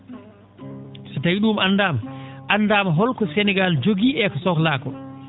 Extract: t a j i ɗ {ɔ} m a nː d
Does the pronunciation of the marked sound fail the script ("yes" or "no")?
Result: yes